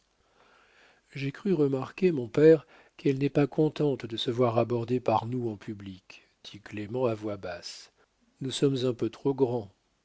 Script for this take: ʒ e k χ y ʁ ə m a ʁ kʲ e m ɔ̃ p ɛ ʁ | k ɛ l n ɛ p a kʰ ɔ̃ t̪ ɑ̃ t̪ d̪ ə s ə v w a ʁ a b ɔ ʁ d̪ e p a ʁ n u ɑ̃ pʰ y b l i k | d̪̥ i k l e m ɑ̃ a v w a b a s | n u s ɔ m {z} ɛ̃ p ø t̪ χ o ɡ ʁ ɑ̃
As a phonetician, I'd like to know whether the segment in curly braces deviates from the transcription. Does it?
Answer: no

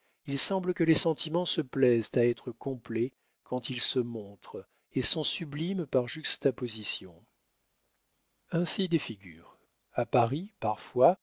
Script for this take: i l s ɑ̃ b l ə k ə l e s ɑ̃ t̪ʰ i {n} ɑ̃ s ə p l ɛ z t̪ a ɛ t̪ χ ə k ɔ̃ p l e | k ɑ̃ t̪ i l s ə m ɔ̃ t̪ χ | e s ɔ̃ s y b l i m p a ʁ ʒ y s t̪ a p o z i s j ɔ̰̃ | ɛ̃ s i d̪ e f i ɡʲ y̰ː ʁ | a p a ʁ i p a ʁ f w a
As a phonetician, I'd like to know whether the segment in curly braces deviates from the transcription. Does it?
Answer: yes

